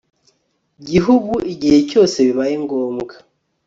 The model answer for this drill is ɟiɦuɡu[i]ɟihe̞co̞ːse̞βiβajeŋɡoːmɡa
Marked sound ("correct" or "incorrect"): correct